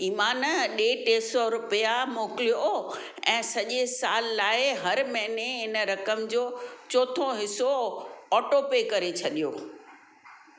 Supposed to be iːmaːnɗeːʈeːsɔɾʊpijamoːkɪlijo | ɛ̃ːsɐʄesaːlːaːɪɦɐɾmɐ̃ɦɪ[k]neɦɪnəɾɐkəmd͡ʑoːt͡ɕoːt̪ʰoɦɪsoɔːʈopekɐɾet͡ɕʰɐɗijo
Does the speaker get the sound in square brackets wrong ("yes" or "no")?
yes